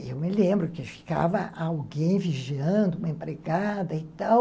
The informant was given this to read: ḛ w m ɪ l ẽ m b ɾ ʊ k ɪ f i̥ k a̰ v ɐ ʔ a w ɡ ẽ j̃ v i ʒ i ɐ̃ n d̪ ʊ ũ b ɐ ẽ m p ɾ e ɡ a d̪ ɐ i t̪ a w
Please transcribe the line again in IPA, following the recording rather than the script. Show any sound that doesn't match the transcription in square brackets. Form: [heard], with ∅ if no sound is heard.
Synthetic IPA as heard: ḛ w m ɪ l ẽ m b ɾ ʊ k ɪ f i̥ k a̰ v ɐ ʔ a w ɡ ẽ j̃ v i ʒ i ɐ̃ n d̪ ʊ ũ [m] ɐ ẽ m p ɾ e ɡ a d̪ ɐ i t̪ a w